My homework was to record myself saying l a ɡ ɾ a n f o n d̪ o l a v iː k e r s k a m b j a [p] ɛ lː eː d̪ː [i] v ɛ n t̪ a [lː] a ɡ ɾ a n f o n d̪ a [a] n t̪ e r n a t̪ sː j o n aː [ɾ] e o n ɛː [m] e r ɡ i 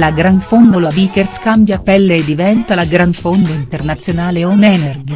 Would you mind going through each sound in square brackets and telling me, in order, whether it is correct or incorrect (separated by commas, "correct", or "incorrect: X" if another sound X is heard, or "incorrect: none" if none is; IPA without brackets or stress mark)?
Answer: correct, correct, incorrect: l, incorrect: i, incorrect: l, incorrect: n